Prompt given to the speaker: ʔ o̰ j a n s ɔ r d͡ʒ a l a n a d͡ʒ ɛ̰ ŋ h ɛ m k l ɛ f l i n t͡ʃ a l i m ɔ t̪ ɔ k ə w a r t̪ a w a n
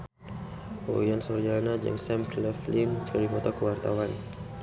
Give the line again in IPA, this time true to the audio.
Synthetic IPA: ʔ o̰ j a n s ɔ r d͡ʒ a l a n a d͡ʒ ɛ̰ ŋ s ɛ m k l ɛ f l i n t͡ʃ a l i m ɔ t̪ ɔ k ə w a r t̪ a w a n